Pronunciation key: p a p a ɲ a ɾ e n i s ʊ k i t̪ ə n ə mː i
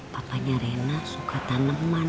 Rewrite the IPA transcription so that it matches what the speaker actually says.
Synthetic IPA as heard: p a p a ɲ a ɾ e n a s u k a t̪ a n ə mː a